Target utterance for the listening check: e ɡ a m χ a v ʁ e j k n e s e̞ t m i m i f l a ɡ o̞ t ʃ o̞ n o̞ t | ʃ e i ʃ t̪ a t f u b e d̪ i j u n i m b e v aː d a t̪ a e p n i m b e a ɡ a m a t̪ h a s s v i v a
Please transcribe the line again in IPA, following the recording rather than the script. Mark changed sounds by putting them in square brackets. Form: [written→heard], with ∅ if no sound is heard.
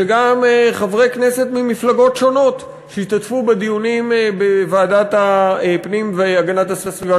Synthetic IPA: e ɡ a m χ a v ʁ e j k n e s e̞ t m i m i f l a ɡ o̞ t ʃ o̞ n o̞ t | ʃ e i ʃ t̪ a t f u b e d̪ i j u n i m b e v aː d a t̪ a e p n i m [b→v] e a ɡ a [m→n] a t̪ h a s s v i v a